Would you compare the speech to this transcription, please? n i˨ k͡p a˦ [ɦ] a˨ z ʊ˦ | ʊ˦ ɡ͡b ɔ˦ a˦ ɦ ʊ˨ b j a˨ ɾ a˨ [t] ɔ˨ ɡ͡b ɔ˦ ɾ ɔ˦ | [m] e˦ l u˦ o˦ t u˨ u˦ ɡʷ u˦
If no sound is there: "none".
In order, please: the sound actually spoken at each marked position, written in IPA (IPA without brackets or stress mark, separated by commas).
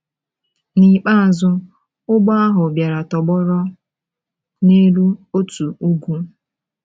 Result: none, t, n